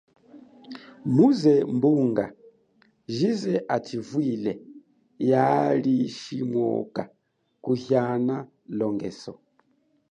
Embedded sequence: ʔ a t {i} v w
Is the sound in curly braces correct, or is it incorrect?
correct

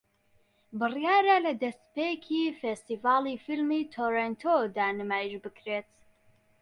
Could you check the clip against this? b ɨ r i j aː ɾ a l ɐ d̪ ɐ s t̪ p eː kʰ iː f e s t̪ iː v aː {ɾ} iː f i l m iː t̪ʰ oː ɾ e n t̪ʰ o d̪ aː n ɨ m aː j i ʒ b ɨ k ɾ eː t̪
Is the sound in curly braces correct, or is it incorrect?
incorrect: l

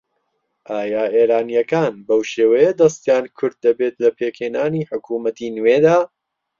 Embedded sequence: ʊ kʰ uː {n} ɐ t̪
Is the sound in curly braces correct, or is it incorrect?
incorrect: m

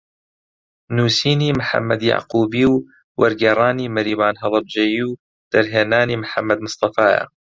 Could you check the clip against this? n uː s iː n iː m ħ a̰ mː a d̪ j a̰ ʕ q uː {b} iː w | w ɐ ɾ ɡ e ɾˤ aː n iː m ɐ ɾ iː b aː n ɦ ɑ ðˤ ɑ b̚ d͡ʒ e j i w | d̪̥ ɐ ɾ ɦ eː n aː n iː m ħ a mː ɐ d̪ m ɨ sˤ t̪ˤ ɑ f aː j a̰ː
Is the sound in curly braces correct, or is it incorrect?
correct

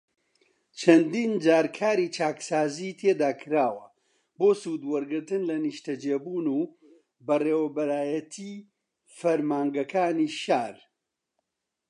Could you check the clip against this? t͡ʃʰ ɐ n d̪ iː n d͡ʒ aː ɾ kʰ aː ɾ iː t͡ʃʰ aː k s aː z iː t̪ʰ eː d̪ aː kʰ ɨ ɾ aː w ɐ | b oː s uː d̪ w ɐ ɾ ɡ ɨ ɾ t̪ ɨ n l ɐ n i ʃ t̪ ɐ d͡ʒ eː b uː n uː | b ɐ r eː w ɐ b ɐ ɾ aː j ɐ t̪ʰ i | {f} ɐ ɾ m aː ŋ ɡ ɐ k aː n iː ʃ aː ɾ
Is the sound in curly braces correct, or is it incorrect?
correct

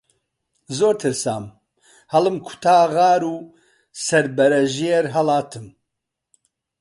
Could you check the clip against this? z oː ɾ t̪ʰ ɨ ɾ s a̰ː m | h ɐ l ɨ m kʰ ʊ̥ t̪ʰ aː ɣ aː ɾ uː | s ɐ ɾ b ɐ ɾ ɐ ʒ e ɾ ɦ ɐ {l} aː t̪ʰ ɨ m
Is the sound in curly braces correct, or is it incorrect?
correct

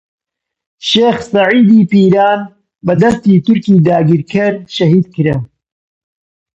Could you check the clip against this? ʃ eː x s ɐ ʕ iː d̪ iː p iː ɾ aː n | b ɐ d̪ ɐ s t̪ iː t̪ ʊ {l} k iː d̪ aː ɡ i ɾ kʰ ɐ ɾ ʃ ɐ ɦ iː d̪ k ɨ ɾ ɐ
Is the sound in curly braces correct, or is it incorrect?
incorrect: ɾ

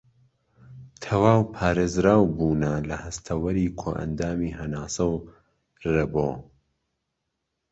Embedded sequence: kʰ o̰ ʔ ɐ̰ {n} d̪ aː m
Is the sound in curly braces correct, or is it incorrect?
correct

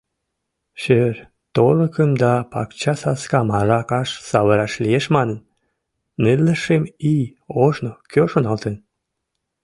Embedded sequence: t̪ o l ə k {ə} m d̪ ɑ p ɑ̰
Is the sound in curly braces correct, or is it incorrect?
correct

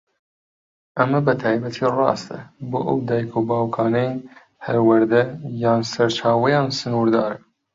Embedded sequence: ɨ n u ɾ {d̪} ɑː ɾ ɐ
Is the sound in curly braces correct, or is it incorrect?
correct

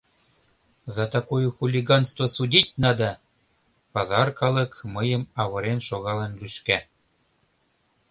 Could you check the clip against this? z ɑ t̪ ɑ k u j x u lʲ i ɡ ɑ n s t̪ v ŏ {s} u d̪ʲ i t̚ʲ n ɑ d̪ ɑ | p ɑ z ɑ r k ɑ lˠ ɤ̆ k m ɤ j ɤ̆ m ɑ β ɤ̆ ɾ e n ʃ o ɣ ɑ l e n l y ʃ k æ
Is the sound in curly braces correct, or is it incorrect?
correct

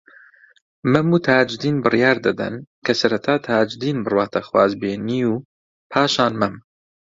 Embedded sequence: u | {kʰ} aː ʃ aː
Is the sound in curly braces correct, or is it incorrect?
incorrect: pʰ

